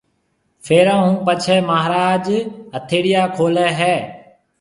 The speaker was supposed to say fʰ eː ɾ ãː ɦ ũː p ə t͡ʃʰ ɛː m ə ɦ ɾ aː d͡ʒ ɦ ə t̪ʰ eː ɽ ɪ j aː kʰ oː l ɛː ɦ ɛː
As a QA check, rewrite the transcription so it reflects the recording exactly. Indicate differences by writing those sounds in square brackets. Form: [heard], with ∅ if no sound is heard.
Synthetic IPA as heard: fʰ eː ɾ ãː ɦ ũː p ə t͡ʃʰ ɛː m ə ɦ ɾ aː d͡ʒ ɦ ə t̪ʰ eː ɽ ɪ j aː kʰ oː l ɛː ɦ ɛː